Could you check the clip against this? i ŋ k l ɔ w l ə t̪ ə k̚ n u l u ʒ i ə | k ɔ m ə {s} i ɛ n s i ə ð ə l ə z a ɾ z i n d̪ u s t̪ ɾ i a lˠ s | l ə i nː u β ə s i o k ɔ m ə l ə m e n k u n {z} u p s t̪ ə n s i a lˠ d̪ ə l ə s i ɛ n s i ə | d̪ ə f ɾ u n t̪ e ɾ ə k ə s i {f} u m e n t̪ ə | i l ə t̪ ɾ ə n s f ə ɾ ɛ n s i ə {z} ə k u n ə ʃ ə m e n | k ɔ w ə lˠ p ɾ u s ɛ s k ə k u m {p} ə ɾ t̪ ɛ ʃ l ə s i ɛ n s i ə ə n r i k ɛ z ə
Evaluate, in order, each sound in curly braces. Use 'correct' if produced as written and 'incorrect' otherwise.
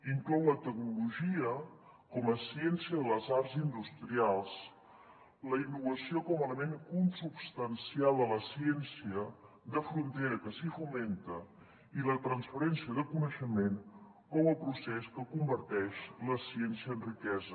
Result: correct, incorrect, correct, incorrect, incorrect

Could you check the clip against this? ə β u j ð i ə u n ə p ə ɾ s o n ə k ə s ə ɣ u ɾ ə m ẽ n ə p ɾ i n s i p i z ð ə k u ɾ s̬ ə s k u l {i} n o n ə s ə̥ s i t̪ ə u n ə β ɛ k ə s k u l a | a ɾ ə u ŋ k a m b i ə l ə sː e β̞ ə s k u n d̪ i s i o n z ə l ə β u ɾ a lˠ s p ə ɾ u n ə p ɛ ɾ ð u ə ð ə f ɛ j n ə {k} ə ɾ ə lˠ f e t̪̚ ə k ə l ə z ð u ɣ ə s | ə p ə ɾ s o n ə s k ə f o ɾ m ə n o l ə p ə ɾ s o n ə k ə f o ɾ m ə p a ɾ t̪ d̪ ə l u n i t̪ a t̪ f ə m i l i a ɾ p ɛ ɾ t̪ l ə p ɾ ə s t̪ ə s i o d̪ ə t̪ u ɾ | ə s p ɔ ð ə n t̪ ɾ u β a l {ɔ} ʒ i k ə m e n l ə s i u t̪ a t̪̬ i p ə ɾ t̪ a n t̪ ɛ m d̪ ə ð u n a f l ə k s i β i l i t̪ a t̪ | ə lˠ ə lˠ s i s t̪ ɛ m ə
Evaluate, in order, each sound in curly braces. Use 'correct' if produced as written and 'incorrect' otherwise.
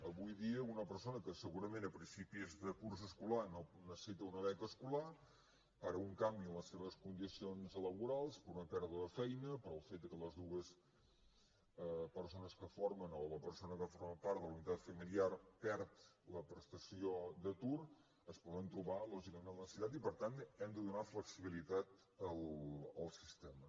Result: incorrect, incorrect, correct

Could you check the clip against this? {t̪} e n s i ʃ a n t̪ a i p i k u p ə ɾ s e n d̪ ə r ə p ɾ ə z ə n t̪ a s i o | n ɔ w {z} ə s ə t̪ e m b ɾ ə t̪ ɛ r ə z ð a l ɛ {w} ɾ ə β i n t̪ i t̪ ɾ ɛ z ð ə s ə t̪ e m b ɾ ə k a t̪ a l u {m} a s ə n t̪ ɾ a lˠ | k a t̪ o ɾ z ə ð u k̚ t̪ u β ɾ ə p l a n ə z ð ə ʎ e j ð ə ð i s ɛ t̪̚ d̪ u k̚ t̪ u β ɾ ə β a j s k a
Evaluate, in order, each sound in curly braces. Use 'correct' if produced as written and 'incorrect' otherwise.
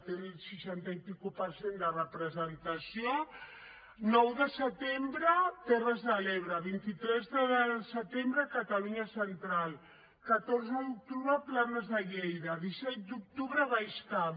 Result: correct, incorrect, incorrect, incorrect

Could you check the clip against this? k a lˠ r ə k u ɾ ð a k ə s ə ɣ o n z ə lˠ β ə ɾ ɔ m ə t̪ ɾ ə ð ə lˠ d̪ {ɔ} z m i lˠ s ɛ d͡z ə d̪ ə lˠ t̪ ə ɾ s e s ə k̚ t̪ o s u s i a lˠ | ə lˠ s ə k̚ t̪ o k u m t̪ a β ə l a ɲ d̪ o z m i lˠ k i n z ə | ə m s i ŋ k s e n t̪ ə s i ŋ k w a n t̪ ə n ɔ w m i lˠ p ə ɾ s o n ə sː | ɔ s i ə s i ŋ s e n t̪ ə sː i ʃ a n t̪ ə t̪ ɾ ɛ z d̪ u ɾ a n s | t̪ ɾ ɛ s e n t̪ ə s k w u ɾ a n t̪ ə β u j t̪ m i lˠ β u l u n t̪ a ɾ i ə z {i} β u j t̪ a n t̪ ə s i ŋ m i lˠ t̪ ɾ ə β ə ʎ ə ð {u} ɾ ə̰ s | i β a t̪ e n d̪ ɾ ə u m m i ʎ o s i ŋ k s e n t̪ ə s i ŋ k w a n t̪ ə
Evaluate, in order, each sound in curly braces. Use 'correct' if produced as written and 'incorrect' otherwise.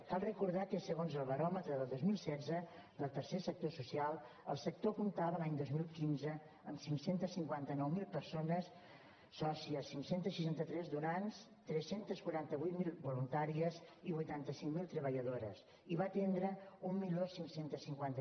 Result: incorrect, correct, incorrect

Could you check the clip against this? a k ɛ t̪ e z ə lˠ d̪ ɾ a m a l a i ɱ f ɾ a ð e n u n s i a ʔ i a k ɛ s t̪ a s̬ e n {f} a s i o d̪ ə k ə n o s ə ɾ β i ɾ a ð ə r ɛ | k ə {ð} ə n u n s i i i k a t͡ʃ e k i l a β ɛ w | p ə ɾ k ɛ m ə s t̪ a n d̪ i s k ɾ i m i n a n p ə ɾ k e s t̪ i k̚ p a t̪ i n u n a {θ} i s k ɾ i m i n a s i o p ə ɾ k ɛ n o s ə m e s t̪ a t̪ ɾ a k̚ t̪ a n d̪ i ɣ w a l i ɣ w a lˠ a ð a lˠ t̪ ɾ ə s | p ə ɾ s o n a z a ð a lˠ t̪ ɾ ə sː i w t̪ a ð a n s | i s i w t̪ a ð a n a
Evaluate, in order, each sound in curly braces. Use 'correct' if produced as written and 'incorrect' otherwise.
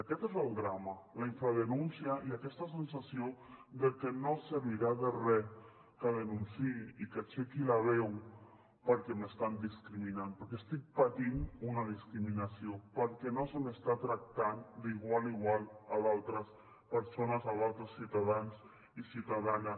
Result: incorrect, correct, incorrect

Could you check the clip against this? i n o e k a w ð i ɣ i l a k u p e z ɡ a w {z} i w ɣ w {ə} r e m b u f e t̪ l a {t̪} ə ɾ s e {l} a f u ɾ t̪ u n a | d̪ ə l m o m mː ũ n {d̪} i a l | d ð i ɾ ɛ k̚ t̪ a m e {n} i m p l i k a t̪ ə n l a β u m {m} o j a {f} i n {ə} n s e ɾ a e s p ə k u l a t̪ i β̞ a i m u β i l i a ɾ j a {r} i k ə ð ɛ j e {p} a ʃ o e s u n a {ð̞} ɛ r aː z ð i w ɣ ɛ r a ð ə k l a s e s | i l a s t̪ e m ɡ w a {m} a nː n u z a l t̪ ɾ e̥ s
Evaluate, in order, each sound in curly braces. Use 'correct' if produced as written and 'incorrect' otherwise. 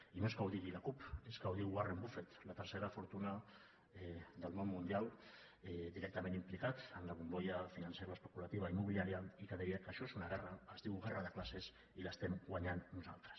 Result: incorrect, incorrect, correct, incorrect, correct, correct, incorrect, correct, incorrect, incorrect, incorrect, incorrect, incorrect

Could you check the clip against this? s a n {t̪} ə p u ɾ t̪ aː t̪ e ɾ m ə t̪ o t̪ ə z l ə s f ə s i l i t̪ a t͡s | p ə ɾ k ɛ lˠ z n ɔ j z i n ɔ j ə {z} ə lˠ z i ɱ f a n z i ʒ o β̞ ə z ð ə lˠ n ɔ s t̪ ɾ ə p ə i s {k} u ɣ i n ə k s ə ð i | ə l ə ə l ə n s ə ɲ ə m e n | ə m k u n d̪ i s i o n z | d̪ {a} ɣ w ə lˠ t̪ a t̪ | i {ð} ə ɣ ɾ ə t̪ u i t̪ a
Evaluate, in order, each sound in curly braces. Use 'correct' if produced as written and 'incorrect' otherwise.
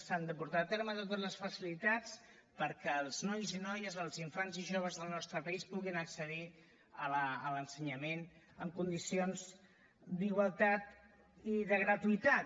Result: incorrect, correct, incorrect, incorrect, correct

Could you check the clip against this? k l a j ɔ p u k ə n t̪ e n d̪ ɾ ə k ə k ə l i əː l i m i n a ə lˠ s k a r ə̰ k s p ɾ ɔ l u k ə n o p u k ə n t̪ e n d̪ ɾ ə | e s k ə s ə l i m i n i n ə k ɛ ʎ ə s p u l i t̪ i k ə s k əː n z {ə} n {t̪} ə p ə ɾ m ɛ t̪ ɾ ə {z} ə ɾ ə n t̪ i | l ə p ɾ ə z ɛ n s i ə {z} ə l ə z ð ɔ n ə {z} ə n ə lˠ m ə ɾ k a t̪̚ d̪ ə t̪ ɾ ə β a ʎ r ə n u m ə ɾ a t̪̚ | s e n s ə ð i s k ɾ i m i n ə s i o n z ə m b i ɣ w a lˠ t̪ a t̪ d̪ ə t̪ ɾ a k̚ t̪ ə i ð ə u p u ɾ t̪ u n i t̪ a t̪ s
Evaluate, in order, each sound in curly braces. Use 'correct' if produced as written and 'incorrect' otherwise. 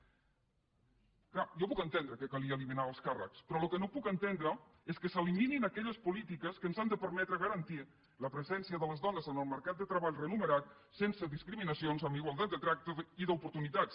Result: incorrect, incorrect, incorrect, incorrect, correct

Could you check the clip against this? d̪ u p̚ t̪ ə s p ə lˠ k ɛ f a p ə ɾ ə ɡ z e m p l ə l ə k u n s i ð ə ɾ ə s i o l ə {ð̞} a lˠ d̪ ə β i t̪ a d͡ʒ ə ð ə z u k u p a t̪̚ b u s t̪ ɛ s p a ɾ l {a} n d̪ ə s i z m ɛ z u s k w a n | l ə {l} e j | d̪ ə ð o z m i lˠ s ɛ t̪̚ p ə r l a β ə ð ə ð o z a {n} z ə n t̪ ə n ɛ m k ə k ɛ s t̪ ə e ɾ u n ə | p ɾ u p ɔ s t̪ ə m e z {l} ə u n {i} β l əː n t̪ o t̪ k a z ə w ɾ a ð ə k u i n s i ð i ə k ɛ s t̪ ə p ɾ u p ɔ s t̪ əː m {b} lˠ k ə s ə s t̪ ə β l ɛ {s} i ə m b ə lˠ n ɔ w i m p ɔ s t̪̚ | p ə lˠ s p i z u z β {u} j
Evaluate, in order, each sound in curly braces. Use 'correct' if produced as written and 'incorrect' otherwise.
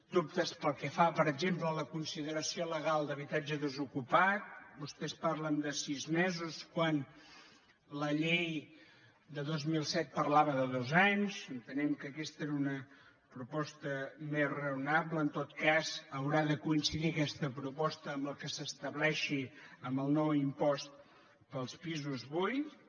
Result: incorrect, incorrect, incorrect, incorrect, incorrect, incorrect, correct, incorrect, correct

